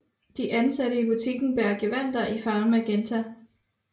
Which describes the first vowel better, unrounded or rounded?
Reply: unrounded